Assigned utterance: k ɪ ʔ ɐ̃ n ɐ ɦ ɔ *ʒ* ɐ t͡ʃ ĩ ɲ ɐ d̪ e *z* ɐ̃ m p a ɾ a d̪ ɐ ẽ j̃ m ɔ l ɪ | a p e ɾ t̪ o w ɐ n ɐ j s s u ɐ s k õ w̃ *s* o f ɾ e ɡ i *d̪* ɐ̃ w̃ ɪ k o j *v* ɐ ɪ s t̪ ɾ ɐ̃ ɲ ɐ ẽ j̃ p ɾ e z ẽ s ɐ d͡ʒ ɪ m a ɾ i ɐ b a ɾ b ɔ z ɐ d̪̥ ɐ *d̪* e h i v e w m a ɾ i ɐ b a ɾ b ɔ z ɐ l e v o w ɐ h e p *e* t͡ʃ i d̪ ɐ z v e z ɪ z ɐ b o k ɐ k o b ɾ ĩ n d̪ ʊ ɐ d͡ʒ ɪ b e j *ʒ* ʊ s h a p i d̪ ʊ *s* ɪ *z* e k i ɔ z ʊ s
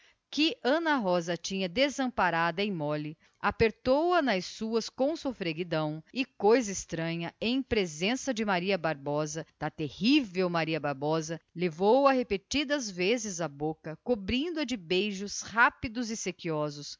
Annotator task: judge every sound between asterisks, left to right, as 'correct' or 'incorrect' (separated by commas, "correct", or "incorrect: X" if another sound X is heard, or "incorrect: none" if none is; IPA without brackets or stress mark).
incorrect: z, correct, correct, correct, incorrect: z, incorrect: t̪, correct, correct, incorrect: z, incorrect: s